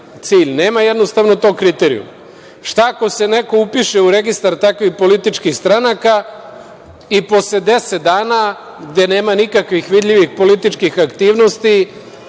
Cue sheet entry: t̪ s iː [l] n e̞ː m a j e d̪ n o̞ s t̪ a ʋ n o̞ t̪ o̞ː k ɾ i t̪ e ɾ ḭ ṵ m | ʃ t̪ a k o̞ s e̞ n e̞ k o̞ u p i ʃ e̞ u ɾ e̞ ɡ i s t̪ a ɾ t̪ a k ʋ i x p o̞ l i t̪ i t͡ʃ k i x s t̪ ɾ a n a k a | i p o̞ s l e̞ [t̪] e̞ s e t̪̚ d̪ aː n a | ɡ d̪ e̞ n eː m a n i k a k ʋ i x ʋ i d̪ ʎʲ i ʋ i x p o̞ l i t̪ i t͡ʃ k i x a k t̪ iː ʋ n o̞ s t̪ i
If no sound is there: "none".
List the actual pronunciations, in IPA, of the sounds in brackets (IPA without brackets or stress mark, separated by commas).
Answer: ʎ, d̪